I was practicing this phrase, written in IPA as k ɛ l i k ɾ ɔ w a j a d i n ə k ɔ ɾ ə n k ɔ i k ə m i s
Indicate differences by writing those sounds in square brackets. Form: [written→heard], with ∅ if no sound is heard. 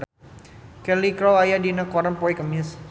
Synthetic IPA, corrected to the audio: k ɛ l i k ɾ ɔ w a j a d i n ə k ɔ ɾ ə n [k→p] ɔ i k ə m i s